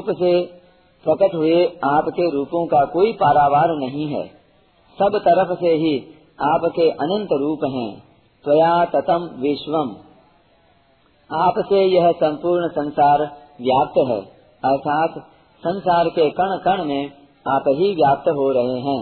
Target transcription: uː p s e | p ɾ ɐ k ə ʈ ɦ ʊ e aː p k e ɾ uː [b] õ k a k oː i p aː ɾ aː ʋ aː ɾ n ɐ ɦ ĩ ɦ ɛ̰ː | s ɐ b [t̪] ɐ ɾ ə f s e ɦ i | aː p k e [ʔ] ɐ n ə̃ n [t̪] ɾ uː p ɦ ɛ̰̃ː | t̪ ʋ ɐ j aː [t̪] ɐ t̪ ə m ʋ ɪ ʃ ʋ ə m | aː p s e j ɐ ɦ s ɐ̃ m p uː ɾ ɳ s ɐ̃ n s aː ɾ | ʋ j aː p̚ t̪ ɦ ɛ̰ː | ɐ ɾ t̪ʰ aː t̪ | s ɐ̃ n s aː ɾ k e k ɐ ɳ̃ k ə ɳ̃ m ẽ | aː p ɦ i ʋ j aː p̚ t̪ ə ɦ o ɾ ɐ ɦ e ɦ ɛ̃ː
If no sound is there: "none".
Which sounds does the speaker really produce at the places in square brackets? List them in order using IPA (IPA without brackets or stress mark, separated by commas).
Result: p, t̪, ʔ, t̪, t̪